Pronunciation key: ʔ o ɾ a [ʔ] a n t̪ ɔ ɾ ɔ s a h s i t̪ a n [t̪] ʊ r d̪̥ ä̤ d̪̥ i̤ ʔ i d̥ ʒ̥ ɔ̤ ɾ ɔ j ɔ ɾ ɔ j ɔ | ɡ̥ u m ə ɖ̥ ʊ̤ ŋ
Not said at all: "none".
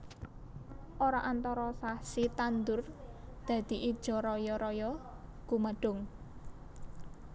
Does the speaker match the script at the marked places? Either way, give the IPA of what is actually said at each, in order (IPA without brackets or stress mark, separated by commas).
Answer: ʔ, d̪